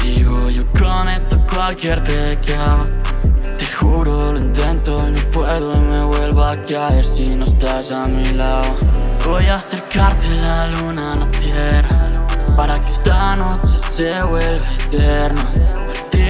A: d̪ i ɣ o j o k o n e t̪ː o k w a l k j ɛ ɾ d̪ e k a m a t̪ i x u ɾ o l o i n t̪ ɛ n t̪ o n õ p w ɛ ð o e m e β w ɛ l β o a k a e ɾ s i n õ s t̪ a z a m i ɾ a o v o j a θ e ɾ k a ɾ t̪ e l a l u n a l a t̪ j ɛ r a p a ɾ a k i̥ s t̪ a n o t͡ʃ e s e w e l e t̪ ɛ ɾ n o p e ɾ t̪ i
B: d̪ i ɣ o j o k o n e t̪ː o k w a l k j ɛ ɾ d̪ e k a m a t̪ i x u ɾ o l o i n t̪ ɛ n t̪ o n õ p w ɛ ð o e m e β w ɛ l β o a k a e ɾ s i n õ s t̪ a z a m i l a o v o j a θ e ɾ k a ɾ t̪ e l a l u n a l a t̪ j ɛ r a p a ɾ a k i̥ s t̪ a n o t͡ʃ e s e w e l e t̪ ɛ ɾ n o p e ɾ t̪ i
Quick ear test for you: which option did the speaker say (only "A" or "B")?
B